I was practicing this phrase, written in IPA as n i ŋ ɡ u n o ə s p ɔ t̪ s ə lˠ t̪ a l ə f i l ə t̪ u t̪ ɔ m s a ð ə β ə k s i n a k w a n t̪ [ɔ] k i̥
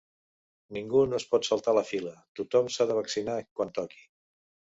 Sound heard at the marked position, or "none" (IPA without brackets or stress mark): ɔ